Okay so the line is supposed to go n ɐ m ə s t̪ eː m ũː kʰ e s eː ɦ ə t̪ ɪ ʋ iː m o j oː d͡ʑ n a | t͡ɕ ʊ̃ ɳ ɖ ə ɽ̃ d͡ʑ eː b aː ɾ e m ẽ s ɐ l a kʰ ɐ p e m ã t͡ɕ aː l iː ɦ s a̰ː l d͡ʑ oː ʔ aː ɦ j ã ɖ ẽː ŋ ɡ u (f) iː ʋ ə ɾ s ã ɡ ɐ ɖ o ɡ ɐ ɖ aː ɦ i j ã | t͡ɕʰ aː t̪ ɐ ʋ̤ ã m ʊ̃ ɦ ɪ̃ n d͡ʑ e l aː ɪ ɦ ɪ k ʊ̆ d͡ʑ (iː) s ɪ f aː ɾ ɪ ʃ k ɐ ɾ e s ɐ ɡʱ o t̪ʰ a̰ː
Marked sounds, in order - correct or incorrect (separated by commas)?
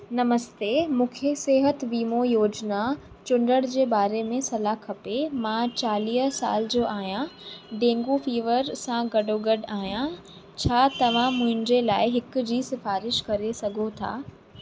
correct, correct